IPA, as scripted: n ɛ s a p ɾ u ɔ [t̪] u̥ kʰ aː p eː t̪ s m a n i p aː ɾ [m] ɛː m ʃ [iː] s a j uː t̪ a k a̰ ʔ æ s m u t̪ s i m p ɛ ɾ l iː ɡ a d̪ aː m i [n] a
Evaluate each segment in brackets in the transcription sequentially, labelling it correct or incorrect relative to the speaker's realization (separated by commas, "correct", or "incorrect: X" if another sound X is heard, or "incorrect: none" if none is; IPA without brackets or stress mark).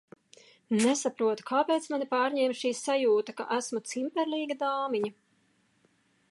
correct, incorrect: ɲ, correct, incorrect: ɲ